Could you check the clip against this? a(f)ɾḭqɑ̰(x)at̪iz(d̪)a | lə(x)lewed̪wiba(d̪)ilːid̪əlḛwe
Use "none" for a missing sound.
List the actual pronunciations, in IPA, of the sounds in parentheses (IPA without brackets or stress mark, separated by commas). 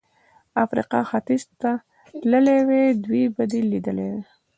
f, x, t̪, none, d̪